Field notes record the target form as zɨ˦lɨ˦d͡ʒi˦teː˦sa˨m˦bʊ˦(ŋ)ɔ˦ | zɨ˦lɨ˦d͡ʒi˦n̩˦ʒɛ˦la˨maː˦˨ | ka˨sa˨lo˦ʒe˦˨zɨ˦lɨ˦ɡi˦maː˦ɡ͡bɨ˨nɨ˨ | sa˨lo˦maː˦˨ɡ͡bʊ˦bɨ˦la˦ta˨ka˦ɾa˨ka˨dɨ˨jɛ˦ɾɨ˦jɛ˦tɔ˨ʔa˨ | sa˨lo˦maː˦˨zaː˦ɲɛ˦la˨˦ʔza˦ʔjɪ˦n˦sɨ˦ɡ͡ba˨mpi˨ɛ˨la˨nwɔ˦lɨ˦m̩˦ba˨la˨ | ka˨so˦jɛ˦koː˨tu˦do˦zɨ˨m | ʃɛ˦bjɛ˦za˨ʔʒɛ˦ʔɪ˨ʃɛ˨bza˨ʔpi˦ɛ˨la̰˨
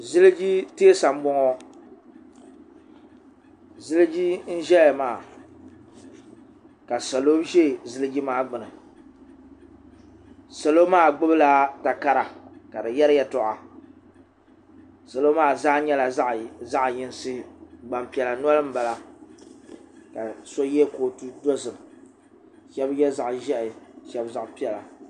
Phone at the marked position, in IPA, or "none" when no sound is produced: ŋ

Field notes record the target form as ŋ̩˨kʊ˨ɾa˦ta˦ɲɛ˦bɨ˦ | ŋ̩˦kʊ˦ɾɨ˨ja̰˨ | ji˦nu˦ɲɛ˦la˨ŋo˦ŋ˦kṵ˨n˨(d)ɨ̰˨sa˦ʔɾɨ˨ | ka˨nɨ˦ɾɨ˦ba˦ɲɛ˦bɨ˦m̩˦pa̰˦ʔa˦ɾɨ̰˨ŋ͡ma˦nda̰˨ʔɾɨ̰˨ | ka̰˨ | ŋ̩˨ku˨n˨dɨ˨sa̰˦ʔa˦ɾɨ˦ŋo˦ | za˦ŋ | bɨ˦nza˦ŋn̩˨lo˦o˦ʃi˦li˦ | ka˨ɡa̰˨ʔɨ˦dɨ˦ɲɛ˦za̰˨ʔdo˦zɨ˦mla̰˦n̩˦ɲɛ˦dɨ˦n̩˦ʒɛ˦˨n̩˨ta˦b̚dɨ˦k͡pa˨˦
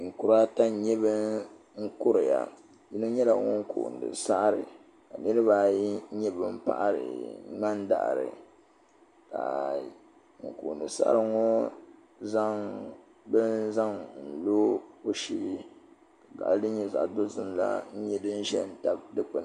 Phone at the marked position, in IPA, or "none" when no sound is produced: d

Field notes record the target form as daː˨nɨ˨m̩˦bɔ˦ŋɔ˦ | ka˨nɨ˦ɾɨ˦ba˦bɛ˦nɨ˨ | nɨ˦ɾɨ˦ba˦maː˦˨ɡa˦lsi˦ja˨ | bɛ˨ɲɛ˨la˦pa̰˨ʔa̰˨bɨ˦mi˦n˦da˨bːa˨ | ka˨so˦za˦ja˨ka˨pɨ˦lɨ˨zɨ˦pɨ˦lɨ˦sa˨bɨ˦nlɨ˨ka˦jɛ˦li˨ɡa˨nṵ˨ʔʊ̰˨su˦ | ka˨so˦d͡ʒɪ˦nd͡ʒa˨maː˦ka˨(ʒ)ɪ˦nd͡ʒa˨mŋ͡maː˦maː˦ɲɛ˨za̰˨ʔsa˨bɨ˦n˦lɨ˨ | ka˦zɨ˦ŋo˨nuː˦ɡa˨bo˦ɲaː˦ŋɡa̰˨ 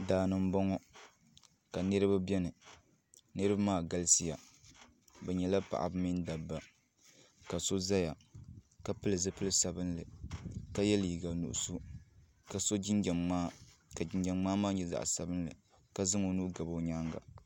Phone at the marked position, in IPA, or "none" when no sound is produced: d͡ʒ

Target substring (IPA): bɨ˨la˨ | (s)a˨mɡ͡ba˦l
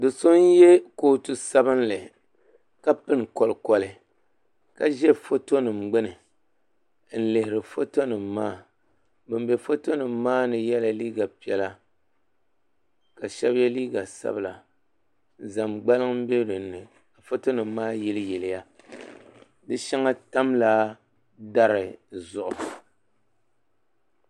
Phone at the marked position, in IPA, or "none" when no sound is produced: z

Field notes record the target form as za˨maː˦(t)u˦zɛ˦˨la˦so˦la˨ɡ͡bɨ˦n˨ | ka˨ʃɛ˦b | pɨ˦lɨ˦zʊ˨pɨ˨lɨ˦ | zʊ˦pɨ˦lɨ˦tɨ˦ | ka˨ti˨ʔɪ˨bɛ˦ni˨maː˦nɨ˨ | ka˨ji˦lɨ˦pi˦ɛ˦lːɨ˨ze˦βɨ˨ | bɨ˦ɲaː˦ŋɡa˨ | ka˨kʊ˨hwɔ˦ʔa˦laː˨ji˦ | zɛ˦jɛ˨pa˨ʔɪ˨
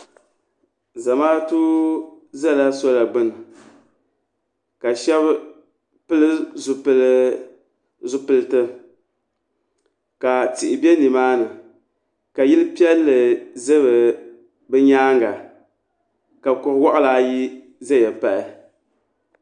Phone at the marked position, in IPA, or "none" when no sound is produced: t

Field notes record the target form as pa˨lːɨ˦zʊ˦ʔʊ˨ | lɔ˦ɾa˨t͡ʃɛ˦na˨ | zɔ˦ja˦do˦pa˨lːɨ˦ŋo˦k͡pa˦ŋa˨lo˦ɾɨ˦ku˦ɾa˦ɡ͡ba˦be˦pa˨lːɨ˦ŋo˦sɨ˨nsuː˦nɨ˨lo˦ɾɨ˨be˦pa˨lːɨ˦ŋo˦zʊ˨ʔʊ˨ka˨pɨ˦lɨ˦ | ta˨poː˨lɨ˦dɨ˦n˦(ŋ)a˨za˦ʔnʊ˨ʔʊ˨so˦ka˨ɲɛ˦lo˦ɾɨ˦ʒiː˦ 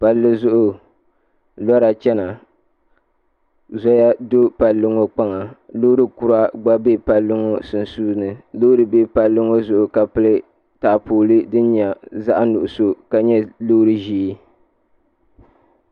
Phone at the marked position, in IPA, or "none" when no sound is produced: ɲ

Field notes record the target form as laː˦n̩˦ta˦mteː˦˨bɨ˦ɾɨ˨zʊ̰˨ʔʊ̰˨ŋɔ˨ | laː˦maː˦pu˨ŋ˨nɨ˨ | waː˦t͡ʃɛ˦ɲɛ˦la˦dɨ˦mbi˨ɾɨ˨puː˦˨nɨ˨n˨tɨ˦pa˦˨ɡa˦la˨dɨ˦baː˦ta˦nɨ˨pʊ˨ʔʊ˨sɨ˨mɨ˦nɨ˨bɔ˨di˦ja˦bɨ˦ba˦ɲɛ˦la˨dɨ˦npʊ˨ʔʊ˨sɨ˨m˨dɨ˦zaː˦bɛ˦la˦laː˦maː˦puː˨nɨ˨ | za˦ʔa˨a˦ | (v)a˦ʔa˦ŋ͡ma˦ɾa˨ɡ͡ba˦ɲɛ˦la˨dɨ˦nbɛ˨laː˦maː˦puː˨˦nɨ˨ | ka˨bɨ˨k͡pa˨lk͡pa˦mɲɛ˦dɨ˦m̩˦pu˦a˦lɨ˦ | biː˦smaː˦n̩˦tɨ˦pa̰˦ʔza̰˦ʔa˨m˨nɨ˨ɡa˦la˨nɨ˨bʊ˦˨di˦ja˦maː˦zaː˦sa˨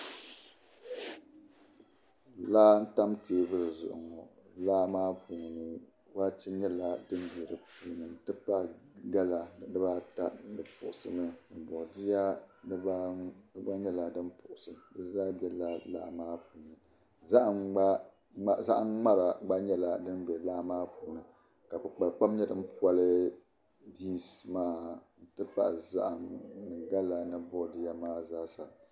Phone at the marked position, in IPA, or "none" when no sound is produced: z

